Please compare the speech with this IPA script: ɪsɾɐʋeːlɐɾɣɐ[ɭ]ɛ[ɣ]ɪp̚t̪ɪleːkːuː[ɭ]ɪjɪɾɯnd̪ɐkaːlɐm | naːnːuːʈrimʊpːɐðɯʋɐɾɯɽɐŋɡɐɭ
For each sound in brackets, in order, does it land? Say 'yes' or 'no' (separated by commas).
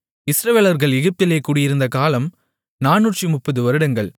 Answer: yes, yes, no